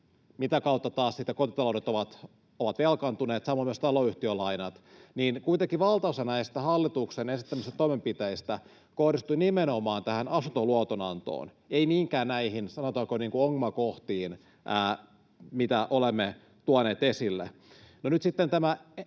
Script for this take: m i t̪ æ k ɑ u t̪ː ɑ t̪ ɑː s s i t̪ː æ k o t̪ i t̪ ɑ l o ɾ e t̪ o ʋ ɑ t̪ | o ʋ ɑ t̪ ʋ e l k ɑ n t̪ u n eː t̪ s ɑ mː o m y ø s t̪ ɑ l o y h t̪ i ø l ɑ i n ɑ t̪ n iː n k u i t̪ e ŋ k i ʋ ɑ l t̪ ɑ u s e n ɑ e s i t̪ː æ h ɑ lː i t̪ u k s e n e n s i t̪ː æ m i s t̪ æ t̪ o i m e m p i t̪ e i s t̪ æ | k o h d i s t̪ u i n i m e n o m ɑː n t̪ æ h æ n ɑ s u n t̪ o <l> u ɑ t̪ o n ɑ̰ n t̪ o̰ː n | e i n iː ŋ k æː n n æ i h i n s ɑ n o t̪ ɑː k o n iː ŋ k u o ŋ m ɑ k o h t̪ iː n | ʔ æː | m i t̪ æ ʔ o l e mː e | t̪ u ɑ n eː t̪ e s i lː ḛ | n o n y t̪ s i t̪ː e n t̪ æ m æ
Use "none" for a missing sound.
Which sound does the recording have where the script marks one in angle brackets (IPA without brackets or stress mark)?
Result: l